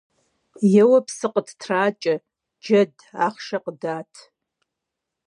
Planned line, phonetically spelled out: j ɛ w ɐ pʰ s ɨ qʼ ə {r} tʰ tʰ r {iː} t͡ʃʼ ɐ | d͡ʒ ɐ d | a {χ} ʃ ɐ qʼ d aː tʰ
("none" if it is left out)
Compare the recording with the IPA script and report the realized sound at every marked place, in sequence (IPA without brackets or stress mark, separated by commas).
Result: none, aː, χ